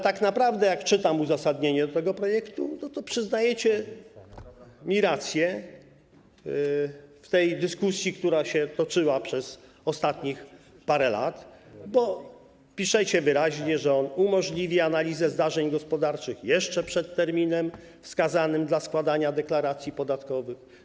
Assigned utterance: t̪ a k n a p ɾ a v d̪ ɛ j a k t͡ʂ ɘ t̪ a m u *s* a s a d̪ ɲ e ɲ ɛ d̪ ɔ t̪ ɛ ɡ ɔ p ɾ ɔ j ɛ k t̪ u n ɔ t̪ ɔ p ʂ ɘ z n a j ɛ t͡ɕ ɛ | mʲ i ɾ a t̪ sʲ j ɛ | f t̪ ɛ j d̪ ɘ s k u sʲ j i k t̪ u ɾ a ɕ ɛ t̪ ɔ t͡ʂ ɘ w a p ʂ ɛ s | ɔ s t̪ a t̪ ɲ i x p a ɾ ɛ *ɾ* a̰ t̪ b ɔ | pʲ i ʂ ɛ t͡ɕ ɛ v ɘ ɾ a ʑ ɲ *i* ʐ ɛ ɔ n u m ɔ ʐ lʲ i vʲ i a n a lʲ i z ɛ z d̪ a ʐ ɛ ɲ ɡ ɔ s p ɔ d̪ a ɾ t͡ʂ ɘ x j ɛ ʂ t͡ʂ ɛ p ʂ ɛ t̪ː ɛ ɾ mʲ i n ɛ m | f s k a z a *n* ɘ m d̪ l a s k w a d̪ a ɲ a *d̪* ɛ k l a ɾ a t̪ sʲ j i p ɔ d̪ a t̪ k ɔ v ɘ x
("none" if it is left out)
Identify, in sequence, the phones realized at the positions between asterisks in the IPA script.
z, l, ɛ, n, d̪

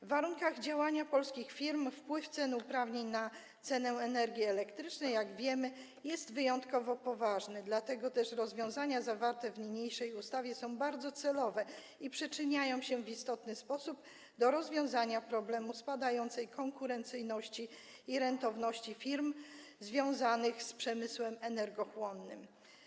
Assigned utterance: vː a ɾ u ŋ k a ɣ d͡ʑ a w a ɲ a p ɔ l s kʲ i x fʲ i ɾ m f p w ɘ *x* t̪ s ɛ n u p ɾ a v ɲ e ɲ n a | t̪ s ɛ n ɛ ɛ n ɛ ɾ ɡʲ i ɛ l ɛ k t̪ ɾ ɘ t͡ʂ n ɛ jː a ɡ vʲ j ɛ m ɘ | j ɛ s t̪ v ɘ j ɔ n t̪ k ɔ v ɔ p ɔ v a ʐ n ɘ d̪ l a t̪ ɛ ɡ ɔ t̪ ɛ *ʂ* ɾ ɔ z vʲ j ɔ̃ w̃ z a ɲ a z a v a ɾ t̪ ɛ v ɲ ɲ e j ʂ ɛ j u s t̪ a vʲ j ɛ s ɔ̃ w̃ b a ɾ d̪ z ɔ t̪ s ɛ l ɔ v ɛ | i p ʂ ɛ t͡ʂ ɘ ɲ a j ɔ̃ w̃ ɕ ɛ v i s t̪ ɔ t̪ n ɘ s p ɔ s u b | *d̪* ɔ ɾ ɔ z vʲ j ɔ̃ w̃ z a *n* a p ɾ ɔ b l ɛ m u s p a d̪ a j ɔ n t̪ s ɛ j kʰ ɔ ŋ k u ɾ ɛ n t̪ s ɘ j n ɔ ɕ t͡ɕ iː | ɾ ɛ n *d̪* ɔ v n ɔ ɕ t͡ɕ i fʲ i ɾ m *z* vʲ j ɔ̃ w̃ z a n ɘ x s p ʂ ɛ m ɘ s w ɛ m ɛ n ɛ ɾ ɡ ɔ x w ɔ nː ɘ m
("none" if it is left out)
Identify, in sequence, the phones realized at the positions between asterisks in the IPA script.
f, ʂ, d̪, ɲ, t̪, z

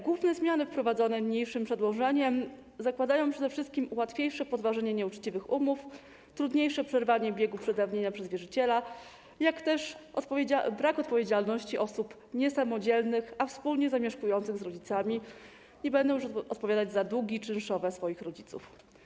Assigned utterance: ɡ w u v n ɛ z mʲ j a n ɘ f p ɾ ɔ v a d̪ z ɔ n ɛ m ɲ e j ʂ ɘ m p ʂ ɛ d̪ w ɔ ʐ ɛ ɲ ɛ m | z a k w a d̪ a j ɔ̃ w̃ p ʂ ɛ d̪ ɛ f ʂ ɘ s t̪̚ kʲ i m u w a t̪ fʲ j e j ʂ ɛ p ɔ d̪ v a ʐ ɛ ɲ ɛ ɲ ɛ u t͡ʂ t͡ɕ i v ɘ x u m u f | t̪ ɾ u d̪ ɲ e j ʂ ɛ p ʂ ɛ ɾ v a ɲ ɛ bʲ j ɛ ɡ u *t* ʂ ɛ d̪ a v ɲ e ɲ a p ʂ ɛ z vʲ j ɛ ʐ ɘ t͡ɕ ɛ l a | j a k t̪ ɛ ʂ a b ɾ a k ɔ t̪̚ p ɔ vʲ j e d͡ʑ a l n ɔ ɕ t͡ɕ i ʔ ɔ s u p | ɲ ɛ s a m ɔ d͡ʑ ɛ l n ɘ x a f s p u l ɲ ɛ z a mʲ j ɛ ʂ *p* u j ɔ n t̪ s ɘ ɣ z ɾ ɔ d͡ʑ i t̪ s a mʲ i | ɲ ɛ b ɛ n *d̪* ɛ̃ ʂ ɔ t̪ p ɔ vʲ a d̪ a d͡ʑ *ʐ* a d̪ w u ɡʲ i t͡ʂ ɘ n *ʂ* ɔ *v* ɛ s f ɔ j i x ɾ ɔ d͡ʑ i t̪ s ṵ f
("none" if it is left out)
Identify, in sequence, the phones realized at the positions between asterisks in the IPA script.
p, k, d̪, z, ʂ, v

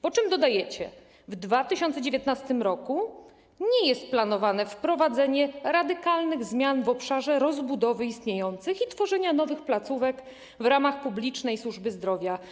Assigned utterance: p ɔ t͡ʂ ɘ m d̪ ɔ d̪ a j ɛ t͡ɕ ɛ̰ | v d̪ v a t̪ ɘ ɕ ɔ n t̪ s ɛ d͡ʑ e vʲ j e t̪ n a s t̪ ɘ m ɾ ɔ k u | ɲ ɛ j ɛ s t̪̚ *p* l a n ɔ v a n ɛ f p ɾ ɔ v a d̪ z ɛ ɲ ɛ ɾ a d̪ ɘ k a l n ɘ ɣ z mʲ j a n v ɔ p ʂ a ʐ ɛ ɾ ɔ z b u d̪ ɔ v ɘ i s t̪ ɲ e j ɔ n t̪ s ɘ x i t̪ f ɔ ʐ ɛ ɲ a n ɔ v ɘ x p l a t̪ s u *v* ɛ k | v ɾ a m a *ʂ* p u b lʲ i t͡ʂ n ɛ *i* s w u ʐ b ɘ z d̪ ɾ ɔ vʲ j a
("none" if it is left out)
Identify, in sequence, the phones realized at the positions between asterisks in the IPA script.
p, v, x, j

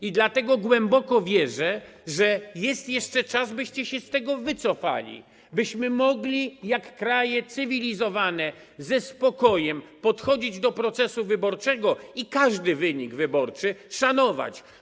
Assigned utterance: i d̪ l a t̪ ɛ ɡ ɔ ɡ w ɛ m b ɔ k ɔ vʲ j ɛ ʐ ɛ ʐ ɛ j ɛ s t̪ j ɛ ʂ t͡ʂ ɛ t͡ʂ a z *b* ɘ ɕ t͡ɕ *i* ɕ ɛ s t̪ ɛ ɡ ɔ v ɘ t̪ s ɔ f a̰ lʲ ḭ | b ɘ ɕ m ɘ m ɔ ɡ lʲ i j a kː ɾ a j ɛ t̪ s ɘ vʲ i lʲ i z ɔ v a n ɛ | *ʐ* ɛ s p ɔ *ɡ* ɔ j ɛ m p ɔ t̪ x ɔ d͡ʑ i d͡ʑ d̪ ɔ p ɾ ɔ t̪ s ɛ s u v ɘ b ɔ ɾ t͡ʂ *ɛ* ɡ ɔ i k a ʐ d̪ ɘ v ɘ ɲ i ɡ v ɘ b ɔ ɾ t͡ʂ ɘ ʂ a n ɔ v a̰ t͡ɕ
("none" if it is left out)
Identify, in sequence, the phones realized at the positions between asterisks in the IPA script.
b, ɛ, z, k, ɛ

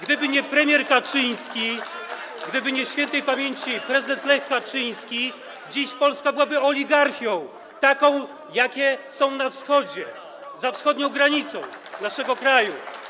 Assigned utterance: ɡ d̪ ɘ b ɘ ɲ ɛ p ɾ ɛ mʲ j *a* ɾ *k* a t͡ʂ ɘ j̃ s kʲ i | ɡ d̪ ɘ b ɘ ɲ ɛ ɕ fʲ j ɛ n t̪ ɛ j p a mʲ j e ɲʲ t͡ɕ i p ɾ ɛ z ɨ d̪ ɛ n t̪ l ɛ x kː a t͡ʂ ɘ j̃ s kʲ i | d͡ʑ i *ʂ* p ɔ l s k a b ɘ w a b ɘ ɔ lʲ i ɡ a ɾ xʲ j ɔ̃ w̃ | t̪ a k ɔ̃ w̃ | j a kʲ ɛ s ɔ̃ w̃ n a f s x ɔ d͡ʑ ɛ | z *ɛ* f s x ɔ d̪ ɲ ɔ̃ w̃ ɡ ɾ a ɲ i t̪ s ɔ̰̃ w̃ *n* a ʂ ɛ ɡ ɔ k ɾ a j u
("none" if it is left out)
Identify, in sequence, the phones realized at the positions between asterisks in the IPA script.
ɛ, k, ɕ, a, n

